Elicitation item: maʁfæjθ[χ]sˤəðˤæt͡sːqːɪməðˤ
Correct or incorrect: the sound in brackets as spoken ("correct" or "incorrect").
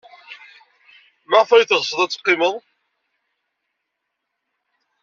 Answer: incorrect